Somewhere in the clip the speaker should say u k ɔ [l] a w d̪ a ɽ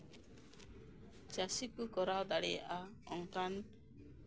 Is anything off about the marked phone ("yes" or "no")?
yes